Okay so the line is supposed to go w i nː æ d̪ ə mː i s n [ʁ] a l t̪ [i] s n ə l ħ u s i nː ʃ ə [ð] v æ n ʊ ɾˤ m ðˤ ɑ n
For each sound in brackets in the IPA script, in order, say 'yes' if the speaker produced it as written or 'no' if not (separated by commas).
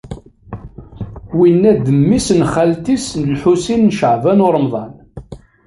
no, yes, no